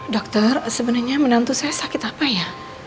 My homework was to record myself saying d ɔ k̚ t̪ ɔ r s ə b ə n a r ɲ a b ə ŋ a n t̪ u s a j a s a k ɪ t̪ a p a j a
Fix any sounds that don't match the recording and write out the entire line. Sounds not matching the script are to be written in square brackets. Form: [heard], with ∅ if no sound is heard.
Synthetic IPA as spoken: d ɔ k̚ t̪ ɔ r s ə b ə n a r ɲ a [m] ə [n] a n t̪ u s a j a s a k ɪ t̪ a p a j a